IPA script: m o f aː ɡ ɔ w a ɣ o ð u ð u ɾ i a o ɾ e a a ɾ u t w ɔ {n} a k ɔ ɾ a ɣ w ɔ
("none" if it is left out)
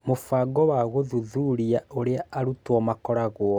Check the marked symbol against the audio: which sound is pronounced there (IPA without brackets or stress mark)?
m